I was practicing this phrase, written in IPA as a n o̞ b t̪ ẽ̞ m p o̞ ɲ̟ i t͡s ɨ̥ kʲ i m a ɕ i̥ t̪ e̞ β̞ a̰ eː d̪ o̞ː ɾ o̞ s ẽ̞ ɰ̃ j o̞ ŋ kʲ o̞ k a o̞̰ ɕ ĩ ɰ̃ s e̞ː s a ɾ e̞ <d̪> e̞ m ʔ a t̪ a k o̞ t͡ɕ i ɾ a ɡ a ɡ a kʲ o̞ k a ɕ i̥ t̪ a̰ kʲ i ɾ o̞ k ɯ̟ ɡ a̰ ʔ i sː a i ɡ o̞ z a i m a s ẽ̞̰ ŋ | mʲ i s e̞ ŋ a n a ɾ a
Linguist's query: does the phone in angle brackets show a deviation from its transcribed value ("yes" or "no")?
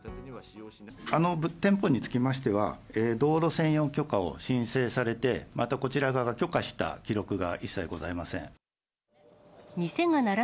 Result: yes